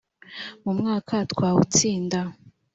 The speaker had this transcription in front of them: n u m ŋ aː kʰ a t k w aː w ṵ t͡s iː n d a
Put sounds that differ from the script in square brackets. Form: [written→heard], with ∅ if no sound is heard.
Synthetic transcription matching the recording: [n→m] u m ŋ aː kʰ a t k w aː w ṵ t͡s iː n d a